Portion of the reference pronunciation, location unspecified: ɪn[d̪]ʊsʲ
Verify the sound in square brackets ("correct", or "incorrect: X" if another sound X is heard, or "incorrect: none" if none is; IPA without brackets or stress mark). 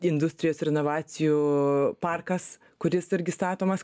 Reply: correct